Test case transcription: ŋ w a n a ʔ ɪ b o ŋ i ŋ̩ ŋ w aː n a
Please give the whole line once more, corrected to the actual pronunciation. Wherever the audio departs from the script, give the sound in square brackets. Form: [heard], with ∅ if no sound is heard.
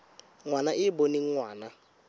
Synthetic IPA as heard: ŋ w a n a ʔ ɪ b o [n] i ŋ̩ ŋ w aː n a